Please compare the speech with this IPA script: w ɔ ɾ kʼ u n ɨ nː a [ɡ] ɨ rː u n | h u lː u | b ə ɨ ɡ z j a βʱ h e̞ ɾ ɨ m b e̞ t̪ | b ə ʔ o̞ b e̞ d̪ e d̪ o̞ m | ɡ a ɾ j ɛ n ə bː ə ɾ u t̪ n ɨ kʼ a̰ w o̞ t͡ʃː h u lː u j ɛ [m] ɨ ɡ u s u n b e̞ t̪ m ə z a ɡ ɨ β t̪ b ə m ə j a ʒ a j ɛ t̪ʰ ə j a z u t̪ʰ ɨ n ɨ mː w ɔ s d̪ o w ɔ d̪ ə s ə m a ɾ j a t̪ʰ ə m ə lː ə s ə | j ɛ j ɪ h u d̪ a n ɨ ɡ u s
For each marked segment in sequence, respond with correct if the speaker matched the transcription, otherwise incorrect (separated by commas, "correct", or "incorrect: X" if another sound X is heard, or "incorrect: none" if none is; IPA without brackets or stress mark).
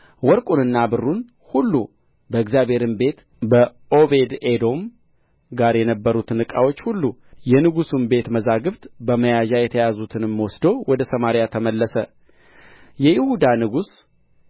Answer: incorrect: b, incorrect: n